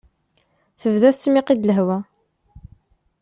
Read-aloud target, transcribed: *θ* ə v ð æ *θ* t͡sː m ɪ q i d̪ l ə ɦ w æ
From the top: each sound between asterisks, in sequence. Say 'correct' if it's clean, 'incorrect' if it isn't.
correct, correct

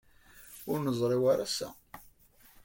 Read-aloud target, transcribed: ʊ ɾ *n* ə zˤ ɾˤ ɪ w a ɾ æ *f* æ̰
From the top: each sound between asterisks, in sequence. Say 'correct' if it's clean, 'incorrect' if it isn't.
correct, incorrect

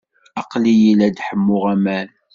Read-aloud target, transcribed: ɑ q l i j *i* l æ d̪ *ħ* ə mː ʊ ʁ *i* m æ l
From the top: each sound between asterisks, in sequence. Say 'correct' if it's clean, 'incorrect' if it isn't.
correct, correct, incorrect

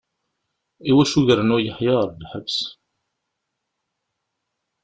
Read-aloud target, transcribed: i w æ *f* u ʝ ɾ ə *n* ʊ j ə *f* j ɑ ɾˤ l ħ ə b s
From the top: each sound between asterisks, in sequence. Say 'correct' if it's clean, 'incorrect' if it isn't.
incorrect, correct, incorrect

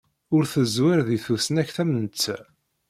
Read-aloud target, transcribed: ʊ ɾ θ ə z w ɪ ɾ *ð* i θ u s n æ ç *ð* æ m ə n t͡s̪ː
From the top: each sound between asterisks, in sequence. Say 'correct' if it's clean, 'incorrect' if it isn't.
correct, incorrect

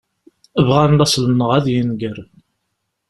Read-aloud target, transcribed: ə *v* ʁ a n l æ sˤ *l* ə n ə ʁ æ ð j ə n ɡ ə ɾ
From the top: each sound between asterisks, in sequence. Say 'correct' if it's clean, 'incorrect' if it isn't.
correct, correct

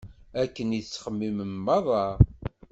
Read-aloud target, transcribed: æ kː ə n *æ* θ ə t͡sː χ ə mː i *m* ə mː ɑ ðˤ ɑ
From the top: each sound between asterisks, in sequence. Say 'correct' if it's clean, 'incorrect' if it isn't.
incorrect, correct

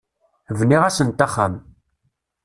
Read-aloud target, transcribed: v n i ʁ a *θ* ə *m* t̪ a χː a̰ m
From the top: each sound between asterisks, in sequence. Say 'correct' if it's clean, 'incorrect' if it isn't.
incorrect, incorrect

